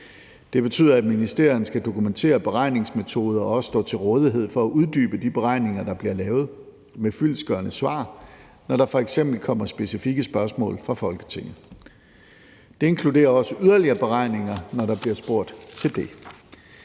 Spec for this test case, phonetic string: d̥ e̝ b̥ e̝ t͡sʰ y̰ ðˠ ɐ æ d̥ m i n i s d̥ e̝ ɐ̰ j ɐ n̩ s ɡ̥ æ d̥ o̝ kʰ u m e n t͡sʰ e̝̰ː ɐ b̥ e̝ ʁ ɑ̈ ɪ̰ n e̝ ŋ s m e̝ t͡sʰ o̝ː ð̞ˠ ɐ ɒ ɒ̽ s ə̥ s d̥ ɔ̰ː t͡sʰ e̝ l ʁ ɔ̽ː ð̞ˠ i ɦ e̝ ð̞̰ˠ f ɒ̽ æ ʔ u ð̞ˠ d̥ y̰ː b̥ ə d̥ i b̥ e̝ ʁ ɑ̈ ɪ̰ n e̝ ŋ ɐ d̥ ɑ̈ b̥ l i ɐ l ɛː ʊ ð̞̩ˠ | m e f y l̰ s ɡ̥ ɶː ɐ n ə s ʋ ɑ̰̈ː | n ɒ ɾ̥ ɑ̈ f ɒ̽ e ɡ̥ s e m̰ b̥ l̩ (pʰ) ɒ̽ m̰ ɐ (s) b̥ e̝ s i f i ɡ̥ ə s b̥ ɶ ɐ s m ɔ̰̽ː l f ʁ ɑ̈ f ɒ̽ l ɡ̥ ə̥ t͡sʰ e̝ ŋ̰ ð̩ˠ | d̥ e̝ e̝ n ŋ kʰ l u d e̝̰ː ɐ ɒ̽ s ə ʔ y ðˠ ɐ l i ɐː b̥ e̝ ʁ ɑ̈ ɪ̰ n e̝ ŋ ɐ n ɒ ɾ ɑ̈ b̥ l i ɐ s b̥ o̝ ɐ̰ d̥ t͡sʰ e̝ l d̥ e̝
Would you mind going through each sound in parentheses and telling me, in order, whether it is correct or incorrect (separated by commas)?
incorrect, correct